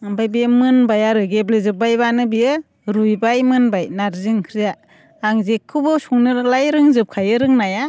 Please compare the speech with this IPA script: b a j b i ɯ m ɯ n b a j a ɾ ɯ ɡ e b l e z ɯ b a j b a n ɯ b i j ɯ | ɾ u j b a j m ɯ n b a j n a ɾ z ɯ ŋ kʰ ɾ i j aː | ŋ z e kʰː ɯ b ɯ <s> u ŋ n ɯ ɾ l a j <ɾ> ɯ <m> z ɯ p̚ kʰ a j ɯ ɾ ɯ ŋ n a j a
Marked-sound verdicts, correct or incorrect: correct, correct, incorrect: ŋ

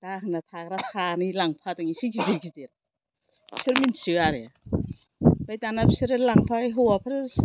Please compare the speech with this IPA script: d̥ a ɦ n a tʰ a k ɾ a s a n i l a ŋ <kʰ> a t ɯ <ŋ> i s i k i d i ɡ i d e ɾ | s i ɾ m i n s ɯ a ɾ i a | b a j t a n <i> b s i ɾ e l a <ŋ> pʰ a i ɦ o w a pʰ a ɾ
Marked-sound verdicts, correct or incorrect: incorrect: pʰ, correct, incorrect: a, correct

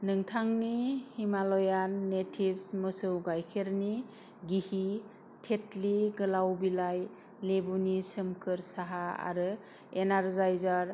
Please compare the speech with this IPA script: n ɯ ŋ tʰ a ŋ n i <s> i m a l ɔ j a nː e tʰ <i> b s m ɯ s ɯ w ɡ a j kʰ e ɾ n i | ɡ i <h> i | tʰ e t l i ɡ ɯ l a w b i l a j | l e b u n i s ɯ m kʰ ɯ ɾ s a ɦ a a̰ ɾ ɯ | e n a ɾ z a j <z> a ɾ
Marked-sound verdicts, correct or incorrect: incorrect: h, correct, correct, correct

